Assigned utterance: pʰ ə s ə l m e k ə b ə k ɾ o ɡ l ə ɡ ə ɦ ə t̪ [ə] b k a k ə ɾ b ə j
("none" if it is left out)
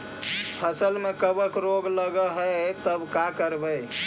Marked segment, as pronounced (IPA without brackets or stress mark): ə